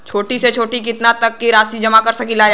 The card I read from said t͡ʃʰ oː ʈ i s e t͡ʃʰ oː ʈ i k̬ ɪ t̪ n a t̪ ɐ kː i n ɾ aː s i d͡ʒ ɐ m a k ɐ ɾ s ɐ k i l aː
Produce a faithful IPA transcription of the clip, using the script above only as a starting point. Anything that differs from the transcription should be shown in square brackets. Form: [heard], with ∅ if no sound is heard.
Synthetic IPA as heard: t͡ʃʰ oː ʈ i s e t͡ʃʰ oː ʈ i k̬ ɪ t̪ n a t̪ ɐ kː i [∅] ɾ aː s i d͡ʒ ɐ m a k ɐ ɾ s ɐ k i l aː